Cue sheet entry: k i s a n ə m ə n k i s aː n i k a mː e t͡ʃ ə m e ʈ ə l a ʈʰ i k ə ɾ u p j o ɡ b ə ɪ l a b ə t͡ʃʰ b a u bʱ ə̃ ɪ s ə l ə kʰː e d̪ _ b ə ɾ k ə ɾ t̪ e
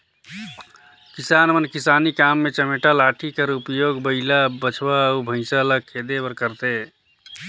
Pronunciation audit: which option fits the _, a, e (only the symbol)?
e